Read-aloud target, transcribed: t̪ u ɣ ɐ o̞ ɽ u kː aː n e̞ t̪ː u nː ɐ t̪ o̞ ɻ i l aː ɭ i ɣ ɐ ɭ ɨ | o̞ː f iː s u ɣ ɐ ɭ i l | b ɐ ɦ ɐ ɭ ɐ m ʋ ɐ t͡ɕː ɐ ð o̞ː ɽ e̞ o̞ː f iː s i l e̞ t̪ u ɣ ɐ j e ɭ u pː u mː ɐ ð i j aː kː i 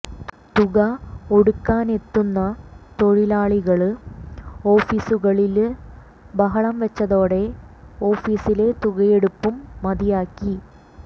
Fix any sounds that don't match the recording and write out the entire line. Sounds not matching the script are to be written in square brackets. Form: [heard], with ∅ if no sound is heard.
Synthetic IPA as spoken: t̪ u ɣ ɐ o̞ ɽ u kː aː n e̞ t̪ː u nː ɐ t̪ o̞ ɻ i l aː ɭ i ɣ ɐ ɭ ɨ | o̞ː f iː s u ɣ ɐ ɭ i l | b ɐ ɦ ɐ ɭ ɐ m ʋ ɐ t͡ɕː ɐ ð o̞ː ɽ e̞ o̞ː f iː s i l e̞ t̪ u ɣ ɐ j e [ɽ] u pː u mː ɐ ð i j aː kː i